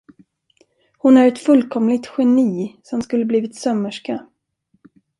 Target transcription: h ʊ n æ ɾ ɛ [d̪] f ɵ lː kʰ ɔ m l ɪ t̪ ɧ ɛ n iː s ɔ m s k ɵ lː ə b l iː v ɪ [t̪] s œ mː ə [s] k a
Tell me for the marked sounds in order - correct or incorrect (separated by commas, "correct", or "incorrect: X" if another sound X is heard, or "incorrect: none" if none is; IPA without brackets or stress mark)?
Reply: incorrect: t̪, correct, incorrect: ʂ